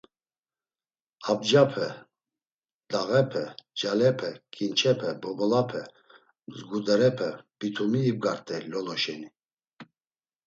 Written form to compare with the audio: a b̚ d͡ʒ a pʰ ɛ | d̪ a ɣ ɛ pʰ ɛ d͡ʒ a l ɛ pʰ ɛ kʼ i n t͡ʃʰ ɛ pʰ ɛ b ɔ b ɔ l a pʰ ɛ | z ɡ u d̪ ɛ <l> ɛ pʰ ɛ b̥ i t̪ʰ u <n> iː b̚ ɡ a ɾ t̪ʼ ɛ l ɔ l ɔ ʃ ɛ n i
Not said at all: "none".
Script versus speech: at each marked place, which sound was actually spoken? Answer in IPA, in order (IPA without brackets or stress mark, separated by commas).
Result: ɾ, m